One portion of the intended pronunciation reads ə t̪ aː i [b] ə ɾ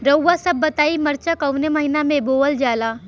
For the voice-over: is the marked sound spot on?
no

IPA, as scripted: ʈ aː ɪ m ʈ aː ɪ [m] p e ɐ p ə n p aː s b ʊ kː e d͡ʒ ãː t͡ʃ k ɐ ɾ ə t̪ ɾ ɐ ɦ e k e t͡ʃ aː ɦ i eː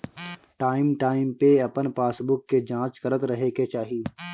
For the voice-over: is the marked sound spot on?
yes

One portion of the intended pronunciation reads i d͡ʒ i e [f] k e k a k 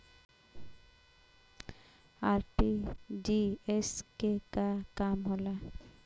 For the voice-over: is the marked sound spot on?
no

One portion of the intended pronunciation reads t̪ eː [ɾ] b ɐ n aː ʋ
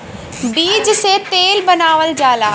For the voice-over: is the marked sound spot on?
no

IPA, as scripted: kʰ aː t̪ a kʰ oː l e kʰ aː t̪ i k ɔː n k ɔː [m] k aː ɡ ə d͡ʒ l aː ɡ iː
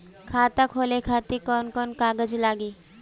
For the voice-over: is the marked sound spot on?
no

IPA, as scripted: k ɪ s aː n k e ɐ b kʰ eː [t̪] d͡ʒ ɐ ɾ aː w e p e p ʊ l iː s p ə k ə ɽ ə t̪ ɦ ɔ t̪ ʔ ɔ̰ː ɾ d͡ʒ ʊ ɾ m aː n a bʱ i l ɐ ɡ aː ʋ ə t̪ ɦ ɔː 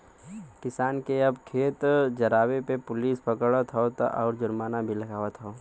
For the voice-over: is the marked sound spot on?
yes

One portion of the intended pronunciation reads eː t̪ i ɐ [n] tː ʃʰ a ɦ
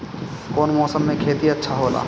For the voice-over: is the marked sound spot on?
no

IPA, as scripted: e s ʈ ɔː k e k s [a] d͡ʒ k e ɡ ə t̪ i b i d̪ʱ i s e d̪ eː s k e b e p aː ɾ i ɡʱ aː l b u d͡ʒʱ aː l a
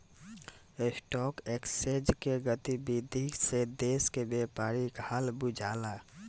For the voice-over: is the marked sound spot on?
no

